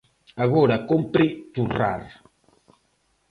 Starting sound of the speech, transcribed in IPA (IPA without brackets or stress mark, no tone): a